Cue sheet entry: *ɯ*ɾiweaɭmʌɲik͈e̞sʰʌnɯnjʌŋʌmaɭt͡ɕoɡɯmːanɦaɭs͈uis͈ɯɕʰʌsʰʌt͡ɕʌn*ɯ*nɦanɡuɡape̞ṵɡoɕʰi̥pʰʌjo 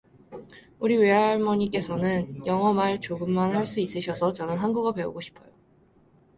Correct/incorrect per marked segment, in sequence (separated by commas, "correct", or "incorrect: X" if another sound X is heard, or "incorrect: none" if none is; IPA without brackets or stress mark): incorrect: u, correct